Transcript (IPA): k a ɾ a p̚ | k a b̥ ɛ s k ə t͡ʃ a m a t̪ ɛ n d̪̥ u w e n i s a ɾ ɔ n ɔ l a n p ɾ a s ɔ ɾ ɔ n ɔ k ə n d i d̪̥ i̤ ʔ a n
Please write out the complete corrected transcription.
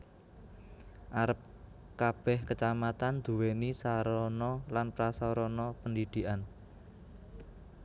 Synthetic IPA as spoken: ʔ a ɾ ə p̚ | k a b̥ ɛ h k ə t͡ʃ a m a t̪ a n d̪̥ u w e n i s a ɾ ɔ n ɔ l a n p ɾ a s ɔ ɾ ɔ n ɔ p ə n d i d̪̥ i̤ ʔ a n